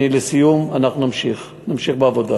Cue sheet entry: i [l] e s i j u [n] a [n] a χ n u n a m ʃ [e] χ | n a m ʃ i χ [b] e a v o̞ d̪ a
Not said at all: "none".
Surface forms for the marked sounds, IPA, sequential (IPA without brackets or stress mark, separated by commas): l, m, n, i, b